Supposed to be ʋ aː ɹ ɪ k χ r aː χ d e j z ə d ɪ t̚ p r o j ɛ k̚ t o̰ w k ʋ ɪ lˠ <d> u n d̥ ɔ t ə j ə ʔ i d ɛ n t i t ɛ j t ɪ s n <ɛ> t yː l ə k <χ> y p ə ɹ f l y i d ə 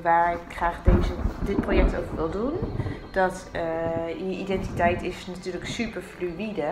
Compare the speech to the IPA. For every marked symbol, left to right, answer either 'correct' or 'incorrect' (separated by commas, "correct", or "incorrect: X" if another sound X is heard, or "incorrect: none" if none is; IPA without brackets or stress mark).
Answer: correct, incorrect: a, incorrect: s